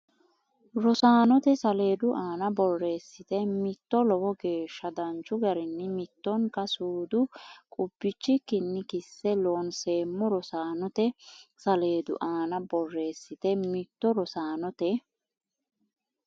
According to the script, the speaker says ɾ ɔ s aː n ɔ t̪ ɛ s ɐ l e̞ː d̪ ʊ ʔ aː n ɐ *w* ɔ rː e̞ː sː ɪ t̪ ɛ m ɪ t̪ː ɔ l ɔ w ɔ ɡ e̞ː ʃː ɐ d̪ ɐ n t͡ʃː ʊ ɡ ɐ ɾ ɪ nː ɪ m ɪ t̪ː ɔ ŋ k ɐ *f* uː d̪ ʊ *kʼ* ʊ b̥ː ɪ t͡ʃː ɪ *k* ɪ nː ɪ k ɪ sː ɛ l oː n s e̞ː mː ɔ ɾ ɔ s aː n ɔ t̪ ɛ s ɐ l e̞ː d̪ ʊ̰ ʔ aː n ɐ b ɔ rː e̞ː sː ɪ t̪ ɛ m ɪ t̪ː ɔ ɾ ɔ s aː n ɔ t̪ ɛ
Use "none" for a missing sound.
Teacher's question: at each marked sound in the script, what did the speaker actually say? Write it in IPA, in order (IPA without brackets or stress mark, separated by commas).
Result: b, s, kʼ, k